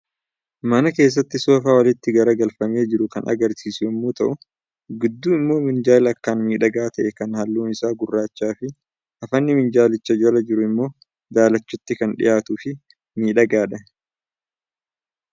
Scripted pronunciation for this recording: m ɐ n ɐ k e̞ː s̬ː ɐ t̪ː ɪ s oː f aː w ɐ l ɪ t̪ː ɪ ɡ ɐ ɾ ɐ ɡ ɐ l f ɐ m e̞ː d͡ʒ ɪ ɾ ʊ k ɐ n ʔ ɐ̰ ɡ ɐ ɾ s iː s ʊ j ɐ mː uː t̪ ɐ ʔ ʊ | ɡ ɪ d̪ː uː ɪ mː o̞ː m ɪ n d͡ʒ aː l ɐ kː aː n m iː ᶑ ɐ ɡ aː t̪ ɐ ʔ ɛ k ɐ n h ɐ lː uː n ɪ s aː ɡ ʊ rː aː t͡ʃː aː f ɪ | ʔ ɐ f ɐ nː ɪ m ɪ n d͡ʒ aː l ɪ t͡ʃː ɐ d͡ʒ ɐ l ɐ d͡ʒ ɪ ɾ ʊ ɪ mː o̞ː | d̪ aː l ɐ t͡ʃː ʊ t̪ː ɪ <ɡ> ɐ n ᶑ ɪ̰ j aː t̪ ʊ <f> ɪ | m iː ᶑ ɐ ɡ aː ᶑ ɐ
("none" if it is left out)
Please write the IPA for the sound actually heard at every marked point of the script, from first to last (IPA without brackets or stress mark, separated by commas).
k, f